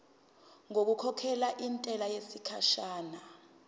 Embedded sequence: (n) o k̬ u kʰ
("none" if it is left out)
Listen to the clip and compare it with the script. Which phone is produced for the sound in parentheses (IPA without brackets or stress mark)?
ŋ